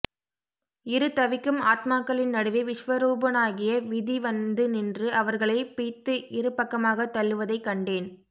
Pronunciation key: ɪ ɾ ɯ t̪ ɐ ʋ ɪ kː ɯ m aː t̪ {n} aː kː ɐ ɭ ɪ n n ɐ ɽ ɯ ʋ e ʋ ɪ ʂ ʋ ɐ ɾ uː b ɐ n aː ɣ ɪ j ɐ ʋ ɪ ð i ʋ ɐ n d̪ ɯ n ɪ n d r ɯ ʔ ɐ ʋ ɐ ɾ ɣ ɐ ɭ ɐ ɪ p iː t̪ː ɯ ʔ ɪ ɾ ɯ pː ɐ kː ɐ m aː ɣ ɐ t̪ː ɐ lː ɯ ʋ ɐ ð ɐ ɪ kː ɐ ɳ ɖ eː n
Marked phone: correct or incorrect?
incorrect